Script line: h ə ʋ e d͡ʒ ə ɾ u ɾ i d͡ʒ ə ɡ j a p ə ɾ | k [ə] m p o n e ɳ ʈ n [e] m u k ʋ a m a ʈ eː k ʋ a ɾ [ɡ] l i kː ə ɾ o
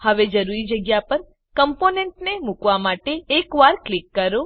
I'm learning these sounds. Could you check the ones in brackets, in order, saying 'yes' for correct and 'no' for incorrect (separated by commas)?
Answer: yes, yes, no